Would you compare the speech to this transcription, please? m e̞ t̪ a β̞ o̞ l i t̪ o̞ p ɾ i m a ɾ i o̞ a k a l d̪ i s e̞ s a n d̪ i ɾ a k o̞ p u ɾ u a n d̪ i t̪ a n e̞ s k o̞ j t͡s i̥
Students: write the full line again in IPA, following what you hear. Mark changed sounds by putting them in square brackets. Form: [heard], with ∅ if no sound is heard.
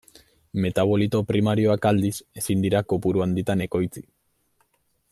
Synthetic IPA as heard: m e̞ t̪ a β̞ o̞ l i t̪ o̞ p ɾ i m a ɾ i o̞ a k a l d̪ i s e̞ s [i] n d̪ i ɾ a k o̞ p u ɾ u a n d̪ i t̪ a n e̞ [∅] k o̞ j t͡s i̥